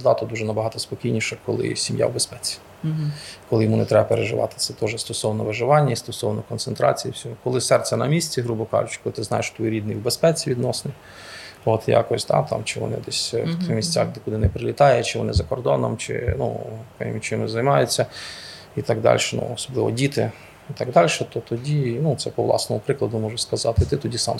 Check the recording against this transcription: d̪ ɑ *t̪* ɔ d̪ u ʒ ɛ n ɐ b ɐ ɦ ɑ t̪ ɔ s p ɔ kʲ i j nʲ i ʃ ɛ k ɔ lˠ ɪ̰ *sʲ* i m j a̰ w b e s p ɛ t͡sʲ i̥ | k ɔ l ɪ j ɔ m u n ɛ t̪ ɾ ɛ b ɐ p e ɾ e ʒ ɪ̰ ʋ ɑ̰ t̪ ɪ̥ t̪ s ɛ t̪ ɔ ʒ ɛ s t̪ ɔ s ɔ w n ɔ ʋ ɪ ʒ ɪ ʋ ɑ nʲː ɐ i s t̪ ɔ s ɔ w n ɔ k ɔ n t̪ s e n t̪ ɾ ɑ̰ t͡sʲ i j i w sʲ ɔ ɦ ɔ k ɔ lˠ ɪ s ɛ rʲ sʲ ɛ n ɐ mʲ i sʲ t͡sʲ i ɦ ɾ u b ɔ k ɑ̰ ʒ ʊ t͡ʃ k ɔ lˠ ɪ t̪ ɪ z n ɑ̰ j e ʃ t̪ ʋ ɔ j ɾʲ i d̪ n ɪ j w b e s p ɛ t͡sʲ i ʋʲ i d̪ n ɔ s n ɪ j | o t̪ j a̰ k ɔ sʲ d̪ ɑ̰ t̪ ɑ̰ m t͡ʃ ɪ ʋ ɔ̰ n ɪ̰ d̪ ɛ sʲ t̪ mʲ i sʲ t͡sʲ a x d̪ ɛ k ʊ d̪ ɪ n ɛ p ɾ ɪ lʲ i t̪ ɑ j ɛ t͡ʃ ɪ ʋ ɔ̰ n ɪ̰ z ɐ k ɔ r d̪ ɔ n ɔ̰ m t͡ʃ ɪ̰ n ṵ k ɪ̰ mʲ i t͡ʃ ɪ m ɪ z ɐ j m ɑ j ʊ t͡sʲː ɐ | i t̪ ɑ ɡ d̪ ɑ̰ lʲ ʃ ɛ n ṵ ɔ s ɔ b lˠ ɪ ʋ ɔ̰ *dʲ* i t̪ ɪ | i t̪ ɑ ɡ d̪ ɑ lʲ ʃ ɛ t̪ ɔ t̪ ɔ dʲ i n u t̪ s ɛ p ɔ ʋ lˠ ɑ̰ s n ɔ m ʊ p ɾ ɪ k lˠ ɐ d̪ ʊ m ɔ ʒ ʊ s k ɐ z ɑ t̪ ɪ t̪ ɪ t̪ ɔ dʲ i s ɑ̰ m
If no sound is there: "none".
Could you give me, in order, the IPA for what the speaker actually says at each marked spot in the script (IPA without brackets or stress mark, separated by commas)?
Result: t̪, sʲ, dʲ